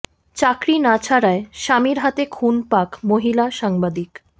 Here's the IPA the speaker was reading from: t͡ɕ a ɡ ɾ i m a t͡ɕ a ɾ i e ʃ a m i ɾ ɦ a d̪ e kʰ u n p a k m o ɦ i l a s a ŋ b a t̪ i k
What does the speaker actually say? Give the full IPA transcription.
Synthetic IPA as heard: t͡ɕ a k ɾ i n a t͡ɕʰ a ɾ a e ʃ a m i ɾ ɦ a t̪ e kʰ u n p a k m o ɦ i l a ʃ a ŋ b a d̪ i k